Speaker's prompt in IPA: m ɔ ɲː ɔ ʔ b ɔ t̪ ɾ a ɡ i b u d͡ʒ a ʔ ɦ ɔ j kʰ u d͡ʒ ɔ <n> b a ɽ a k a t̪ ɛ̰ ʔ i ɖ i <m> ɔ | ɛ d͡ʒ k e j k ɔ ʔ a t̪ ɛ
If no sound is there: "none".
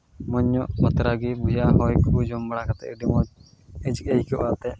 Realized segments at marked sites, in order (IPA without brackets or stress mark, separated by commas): m, m